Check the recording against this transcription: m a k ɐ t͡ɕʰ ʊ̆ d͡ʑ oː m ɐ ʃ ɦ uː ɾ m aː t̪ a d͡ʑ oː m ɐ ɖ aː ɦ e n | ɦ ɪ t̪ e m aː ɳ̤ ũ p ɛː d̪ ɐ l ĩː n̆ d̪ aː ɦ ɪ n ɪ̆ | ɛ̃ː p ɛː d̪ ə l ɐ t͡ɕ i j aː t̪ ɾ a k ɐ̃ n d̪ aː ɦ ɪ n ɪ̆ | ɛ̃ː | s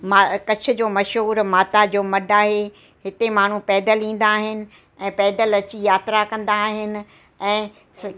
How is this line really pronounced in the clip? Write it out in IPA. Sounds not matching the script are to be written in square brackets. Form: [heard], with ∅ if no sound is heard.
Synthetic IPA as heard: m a k ɐ t͡ɕʰ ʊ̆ d͡ʑ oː m ɐ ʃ ɦ uː ɾ m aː t̪ a d͡ʑ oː m ɐ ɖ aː ɦ e [∅] | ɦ ɪ t̪ e m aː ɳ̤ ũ p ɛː d̪ [ə] l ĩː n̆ d̪ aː ɦ ɪ n ɪ̆ | ɛ̃ː p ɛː d̪ ə l ɐ t͡ɕ i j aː t̪ ɾ a k ɐ̃ n d̪ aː ɦ ɪ n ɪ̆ | ɛ̃ː | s